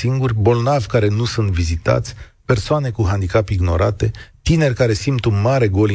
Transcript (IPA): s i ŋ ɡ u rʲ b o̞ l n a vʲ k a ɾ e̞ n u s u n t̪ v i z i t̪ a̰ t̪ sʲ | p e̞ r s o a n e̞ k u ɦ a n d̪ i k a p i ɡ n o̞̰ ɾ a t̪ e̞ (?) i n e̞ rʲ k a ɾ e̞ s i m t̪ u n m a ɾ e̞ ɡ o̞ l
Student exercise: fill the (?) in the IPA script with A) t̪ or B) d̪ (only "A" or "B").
A